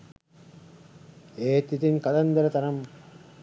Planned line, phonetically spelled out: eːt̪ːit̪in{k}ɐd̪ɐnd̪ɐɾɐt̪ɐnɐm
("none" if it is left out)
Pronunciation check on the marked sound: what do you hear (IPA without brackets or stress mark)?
k